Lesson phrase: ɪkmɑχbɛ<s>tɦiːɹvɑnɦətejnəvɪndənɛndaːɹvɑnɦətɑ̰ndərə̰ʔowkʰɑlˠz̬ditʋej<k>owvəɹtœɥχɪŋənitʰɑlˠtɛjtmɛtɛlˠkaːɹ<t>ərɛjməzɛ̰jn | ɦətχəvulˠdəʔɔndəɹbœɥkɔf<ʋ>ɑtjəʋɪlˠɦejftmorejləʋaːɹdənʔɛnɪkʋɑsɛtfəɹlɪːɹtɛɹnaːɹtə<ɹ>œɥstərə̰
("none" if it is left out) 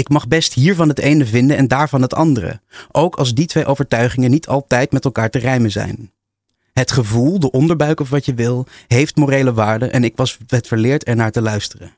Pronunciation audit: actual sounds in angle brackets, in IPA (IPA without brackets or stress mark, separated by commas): s, ʔ, t, ʋ, l